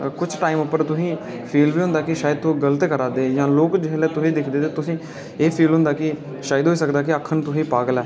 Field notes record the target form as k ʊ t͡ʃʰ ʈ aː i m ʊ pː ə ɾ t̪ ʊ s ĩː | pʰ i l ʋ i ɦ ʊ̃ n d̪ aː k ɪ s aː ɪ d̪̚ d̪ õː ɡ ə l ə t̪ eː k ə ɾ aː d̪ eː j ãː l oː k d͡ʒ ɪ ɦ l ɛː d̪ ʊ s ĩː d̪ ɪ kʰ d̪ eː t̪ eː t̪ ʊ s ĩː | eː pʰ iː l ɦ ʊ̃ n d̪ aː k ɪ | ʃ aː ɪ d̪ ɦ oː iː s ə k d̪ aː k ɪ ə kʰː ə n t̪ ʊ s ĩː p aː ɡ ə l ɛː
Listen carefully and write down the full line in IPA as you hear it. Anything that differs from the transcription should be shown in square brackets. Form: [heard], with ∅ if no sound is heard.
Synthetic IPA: k ʊ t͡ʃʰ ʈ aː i m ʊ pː ə ɾ t̪ ʊ s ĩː | pʰ [iː] l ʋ [iː] ɦ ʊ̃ n d̪ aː k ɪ [ʃ] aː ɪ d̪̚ [t̪] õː ɡ ə l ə t̪ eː k ə ɾ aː d̪ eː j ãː l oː k d͡ʒ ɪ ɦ l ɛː [t̪] ʊ s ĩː d̪ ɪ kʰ d̪ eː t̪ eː t̪ ʊ s ĩː | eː pʰ iː l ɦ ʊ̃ n d̪ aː k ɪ | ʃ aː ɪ d̪ ɦ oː iː s ə k d̪ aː k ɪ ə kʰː ə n t̪ ʊ s ĩː p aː ɡ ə l ɛː